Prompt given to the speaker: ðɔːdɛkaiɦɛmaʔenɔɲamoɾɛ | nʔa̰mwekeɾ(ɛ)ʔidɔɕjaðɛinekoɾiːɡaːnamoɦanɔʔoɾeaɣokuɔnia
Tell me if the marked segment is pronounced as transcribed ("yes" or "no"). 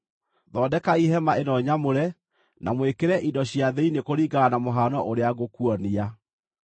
yes